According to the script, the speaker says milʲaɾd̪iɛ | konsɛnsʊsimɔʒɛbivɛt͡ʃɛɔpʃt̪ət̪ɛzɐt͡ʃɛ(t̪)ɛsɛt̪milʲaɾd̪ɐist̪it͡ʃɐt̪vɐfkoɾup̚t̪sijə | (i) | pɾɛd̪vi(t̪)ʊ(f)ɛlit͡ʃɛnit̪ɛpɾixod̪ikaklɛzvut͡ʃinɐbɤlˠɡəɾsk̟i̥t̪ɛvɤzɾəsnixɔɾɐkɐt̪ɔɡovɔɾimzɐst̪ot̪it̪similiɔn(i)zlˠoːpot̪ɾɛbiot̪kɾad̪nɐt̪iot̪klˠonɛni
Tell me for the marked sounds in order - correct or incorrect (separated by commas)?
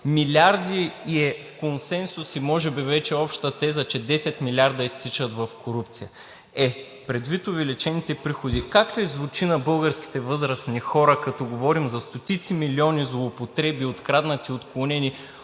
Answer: incorrect, incorrect, correct, incorrect, correct